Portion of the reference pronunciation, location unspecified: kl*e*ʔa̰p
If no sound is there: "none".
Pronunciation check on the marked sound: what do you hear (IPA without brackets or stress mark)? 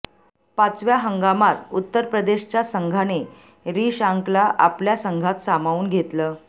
a